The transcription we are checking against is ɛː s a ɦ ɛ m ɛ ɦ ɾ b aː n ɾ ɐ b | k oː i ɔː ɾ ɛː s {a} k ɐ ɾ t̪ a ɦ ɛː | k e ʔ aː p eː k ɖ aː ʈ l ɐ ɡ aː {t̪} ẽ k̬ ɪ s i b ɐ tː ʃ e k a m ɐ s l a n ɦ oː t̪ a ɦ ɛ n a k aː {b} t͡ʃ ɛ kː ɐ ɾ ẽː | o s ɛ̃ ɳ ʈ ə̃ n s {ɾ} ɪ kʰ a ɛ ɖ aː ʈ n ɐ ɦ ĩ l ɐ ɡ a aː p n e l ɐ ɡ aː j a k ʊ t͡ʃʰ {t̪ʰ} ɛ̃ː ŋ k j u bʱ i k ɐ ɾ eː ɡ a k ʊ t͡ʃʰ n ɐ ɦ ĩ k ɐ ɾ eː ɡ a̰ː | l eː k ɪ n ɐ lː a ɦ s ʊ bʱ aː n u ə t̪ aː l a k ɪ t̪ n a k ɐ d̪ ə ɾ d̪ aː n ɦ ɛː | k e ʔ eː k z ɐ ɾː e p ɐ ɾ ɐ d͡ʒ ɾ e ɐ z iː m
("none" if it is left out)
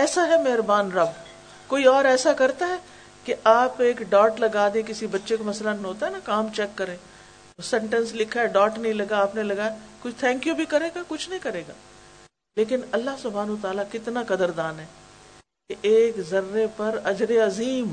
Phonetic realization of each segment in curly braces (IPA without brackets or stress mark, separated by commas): a, d̪, m, l, t̪ʰ